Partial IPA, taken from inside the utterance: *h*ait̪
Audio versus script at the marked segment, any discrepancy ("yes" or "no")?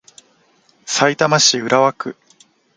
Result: yes